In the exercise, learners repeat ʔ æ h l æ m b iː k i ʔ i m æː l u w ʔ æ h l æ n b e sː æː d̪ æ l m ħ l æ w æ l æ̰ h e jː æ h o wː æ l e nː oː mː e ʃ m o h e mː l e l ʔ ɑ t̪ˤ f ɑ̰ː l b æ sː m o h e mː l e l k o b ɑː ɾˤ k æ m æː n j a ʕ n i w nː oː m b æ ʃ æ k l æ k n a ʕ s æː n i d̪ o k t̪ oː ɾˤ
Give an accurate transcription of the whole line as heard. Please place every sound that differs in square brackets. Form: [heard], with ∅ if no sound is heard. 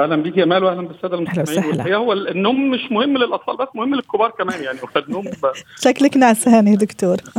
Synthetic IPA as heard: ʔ æ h l æ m b iː k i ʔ [æ] m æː l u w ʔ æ h l æ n b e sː æː d̪ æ l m ħ l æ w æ l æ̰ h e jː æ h o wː æ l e nː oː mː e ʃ m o h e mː l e l ʔ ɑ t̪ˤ f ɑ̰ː l b æ sː m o h e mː l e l k o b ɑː ɾˤ k æ m æː n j a ʕ n i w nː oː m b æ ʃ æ k l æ k n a ʕ s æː n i d̪ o k t̪ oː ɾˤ